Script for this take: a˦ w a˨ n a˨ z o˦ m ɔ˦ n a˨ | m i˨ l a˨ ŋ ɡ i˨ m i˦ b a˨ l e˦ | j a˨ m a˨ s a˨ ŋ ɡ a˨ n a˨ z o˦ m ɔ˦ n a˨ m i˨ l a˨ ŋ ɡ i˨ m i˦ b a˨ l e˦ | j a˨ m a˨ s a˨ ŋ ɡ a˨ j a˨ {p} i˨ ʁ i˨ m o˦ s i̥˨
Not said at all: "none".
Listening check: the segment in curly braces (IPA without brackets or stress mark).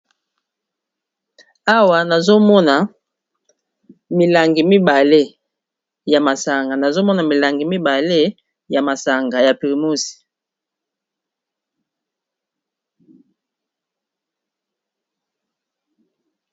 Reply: p